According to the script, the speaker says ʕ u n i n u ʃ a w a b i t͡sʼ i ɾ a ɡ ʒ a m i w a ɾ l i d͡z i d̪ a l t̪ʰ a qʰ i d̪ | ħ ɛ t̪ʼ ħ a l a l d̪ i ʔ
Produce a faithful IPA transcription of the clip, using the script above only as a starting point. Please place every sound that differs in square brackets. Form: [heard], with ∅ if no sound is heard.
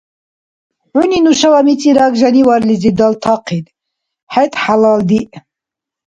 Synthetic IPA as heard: ʕ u n i n u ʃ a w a [m] i t͡sʼ i ɾ a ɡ ʒ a [n] i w a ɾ l i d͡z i d̪ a l t̪ʰ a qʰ i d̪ | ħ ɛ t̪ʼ ħ a l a l d̪ i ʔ